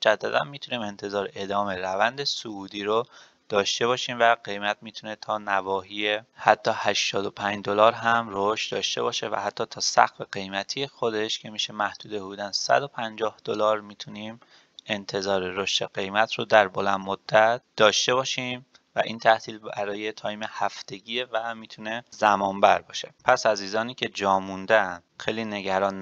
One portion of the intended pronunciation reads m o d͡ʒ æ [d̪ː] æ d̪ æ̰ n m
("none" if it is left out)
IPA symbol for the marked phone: d̪ː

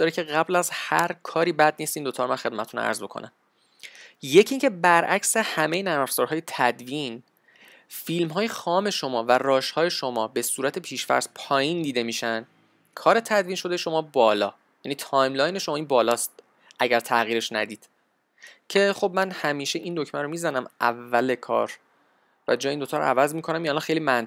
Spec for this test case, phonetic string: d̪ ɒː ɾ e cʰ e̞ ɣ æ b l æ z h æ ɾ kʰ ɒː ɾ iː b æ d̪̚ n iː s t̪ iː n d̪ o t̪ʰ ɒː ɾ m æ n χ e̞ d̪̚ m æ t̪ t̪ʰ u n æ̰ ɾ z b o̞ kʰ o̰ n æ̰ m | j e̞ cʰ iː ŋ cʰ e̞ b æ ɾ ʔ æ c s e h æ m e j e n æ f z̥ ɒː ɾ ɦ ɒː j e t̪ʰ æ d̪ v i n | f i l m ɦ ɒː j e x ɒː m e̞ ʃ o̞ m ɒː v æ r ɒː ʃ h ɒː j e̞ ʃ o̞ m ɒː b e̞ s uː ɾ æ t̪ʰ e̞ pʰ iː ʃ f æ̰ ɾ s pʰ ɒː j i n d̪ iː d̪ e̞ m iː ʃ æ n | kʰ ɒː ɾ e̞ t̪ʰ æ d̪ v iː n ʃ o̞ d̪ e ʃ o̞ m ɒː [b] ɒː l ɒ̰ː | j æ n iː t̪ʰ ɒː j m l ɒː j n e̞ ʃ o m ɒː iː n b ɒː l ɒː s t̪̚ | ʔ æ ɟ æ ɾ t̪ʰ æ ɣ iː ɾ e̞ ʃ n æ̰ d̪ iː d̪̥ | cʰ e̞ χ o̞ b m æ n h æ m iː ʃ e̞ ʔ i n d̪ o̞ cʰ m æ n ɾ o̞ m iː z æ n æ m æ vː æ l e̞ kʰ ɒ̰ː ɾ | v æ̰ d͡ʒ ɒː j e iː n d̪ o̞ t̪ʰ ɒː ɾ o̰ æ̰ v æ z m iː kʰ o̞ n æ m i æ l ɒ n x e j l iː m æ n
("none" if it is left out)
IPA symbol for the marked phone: b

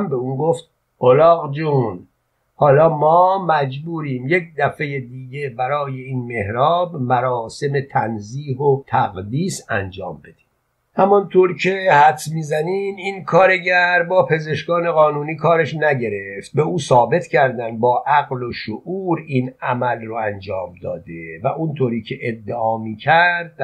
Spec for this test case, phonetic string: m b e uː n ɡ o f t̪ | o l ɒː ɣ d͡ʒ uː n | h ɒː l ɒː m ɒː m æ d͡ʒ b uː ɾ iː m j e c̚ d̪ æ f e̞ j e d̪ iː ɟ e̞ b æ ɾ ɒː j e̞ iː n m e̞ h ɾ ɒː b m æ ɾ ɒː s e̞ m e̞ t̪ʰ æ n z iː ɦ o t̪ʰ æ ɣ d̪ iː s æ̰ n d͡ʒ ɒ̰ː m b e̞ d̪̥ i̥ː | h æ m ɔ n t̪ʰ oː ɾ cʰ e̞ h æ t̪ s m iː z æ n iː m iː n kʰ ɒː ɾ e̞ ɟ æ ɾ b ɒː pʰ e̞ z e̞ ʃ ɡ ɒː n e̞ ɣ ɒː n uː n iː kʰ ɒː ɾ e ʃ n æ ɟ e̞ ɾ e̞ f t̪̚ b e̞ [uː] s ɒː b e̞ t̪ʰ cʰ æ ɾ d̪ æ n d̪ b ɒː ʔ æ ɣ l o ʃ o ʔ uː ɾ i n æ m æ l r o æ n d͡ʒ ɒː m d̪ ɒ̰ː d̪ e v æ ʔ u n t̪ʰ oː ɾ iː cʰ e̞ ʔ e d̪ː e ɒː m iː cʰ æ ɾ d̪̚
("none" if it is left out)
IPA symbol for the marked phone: uː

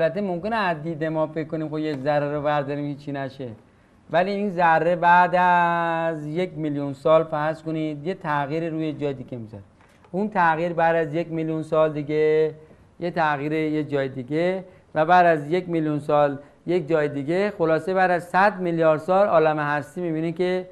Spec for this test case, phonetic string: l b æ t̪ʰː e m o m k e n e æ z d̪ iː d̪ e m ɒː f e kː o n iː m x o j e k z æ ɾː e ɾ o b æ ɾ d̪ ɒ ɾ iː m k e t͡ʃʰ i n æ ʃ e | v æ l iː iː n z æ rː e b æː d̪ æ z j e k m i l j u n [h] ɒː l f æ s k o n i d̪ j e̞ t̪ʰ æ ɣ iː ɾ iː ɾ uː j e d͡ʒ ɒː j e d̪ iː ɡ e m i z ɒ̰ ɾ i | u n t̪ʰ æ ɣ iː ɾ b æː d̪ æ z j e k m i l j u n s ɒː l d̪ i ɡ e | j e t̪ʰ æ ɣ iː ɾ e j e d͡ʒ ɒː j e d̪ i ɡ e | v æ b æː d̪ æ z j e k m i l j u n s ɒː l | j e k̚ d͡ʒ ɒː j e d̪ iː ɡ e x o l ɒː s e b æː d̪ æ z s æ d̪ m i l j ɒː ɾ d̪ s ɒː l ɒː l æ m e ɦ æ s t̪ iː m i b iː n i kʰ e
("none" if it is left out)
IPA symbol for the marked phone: s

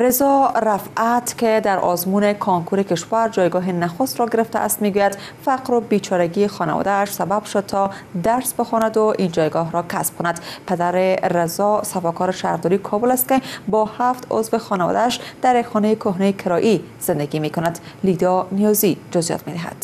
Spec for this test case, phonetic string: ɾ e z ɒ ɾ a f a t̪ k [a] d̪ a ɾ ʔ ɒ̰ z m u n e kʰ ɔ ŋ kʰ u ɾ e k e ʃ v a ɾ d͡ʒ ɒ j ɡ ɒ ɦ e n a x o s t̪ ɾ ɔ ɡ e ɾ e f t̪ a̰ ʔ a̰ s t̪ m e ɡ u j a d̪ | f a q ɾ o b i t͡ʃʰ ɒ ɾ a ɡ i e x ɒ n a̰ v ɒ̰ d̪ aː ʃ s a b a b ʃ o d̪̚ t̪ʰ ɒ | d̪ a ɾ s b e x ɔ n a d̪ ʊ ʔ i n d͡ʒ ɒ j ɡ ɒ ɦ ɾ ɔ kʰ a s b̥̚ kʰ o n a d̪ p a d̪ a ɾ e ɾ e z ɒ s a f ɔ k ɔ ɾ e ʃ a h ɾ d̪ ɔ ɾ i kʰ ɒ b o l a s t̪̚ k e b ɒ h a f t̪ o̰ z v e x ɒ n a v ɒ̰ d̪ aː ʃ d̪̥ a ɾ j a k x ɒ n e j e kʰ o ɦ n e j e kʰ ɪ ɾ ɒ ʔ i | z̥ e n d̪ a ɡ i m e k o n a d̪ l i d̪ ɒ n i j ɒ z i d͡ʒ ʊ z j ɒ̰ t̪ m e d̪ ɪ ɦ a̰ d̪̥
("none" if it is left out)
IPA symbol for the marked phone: e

